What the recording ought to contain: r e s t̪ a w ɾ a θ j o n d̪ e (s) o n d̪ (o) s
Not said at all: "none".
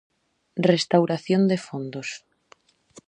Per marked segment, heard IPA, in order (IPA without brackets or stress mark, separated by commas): f, o